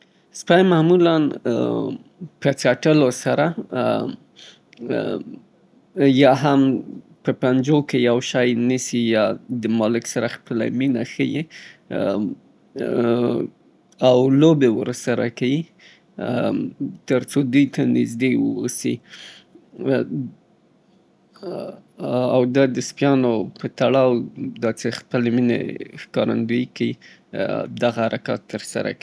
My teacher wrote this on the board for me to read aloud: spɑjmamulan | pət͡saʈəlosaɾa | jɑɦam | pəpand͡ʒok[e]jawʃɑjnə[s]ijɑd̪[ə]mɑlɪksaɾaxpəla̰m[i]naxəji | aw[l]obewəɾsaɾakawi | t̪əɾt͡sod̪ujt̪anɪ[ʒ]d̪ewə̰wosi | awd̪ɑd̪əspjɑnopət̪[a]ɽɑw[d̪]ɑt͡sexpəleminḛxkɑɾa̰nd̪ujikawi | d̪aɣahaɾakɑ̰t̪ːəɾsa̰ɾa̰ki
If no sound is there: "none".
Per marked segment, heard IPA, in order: e, s, ə, i, l, z, a, d̪

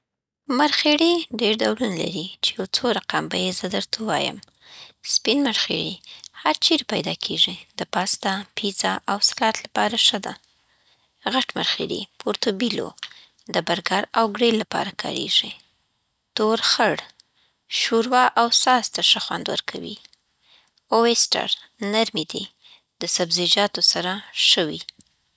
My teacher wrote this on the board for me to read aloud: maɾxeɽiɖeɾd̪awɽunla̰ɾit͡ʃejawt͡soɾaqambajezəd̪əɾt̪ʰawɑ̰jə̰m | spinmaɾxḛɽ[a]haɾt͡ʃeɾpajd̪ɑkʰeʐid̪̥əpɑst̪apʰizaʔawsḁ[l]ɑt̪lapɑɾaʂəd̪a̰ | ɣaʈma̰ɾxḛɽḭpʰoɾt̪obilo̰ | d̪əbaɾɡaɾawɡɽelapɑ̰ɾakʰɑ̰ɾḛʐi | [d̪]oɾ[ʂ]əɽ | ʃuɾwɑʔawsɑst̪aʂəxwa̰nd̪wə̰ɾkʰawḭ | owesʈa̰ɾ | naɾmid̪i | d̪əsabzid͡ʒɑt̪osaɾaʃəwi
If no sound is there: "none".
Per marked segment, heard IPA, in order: i, l, t̪, x

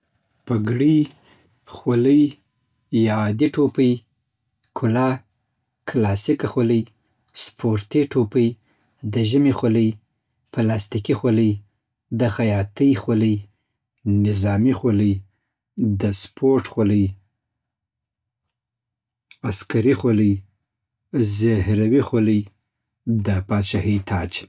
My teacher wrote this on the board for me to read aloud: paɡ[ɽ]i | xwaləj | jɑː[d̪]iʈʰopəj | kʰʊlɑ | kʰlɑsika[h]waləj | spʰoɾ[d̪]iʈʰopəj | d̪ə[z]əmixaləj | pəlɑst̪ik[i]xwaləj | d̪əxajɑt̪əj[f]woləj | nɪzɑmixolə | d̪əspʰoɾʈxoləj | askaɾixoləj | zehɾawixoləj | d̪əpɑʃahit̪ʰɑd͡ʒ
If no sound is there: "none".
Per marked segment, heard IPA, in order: ɽ, d̪, x, t̪, ʒ, i, x

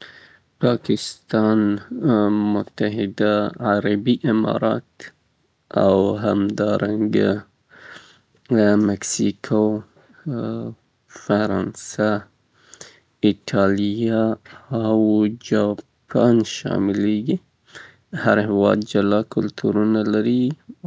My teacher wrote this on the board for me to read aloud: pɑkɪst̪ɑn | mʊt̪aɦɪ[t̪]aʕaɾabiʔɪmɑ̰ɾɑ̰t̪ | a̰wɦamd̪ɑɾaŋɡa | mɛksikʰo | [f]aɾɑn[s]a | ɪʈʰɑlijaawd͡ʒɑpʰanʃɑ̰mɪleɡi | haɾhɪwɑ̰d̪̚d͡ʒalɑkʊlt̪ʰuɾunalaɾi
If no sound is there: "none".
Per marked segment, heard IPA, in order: d̪, f, s

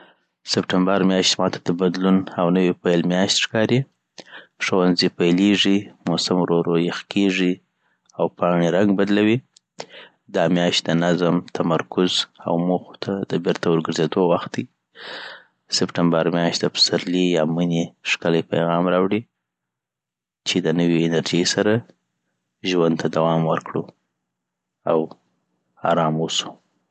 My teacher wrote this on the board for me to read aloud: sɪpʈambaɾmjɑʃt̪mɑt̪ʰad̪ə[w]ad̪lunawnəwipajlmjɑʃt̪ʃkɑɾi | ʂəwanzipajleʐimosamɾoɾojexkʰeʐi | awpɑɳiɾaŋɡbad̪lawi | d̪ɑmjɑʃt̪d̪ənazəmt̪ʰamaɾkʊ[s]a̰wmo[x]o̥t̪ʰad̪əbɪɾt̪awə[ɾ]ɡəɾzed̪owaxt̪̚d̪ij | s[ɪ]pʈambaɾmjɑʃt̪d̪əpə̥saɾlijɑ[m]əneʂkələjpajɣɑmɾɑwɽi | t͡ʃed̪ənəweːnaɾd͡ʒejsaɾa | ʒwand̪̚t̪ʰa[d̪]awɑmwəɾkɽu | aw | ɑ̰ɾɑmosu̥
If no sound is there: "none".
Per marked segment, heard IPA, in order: b, z, x, ɾ, ɪ, m, d̪

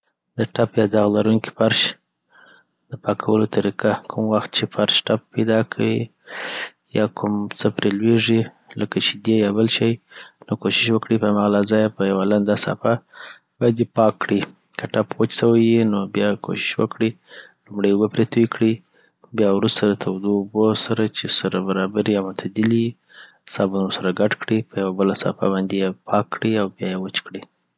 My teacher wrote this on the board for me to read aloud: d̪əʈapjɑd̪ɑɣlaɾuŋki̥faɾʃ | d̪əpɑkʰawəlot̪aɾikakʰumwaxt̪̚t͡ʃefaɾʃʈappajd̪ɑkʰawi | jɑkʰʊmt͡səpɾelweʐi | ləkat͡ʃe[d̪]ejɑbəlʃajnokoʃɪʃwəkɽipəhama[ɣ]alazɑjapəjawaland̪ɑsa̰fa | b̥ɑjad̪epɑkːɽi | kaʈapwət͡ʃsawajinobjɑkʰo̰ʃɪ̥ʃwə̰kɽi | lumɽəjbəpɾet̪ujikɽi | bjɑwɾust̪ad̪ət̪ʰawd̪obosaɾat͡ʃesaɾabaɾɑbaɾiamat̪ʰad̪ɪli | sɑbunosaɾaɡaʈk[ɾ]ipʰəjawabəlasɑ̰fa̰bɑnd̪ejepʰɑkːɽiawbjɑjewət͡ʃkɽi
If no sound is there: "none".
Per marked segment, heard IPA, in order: d̪, ɣ, ɽ

